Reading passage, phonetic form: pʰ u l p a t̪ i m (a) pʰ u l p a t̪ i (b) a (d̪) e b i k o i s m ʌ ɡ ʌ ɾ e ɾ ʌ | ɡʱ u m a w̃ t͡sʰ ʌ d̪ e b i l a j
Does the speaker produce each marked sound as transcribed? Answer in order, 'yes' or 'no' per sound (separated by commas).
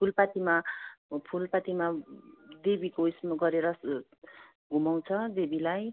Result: yes, no, yes